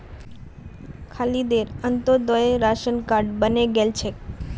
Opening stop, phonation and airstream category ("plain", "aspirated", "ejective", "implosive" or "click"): aspirated